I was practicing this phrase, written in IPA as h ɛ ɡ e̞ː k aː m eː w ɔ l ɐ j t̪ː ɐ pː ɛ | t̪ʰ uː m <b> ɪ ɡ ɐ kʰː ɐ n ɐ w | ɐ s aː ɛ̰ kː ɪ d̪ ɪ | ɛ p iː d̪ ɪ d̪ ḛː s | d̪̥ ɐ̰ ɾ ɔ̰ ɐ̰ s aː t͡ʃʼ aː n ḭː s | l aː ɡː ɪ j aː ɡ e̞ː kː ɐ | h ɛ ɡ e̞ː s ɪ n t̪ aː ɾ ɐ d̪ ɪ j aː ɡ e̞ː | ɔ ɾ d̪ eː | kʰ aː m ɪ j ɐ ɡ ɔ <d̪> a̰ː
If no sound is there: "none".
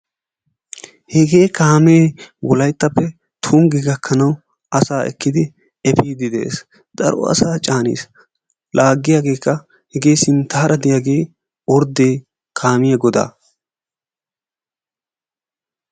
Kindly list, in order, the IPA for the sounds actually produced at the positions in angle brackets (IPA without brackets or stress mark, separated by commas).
ɡ, d̪